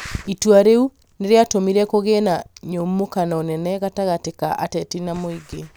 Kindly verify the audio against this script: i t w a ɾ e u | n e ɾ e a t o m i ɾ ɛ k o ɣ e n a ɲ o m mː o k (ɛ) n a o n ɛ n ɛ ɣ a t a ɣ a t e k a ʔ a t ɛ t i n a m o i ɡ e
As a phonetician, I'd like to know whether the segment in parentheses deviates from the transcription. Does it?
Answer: yes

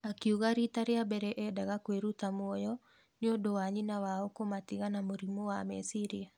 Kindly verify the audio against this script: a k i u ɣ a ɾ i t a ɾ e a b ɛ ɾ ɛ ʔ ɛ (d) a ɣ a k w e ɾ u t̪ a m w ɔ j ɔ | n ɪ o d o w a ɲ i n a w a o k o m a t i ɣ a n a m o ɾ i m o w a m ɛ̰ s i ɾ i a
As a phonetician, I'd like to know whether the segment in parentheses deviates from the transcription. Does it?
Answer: no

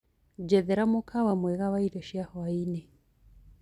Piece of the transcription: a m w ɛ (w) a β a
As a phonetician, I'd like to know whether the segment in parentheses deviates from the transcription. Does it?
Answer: yes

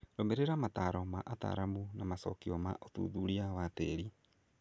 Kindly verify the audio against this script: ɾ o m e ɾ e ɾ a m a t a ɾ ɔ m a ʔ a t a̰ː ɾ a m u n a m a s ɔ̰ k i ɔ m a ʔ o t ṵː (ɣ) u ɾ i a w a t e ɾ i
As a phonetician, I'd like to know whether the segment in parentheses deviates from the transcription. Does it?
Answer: yes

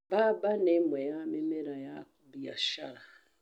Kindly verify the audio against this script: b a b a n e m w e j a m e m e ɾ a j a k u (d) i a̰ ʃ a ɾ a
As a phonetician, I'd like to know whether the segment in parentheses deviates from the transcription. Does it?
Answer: yes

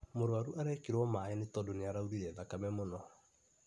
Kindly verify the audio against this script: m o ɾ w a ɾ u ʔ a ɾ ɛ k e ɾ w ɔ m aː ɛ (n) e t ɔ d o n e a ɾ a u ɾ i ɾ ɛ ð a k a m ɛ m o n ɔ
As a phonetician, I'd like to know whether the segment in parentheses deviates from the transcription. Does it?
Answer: no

